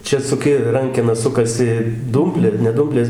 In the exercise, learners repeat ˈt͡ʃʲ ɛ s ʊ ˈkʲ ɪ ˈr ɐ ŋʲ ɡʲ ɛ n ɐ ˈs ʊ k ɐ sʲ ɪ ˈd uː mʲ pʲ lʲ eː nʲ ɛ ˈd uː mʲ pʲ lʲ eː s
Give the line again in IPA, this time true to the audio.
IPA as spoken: ˈt͡ʃʲ ɛ s ʊ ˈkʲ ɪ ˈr ɐ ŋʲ kʲ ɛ n ɐ ˈs ʊ k ɐ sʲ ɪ ˈd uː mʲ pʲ lʲ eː nʲ ɛ ˈd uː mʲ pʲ lʲ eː s